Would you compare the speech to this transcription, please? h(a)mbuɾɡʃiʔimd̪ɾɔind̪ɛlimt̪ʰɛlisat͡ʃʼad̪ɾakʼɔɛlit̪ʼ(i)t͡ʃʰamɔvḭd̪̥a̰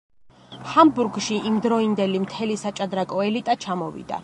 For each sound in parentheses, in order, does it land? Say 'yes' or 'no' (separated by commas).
yes, no